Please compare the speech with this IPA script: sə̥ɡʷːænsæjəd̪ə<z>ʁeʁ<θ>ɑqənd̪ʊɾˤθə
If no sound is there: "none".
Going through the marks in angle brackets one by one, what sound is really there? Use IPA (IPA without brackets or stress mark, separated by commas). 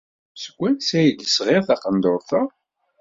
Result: s, θ